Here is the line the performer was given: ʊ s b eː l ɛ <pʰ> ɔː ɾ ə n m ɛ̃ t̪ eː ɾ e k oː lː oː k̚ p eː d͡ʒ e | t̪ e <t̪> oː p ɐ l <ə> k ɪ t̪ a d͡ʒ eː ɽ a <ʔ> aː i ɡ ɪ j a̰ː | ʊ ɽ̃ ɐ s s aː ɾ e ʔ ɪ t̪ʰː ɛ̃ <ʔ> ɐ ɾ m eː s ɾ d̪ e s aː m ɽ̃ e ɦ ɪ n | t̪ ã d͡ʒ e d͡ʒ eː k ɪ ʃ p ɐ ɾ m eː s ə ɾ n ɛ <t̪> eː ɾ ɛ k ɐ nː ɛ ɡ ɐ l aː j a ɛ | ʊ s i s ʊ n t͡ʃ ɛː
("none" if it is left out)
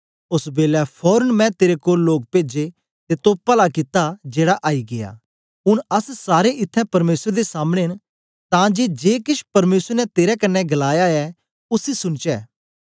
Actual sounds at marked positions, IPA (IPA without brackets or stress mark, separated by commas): pʰ, t̪, a, ʔ, p, t̪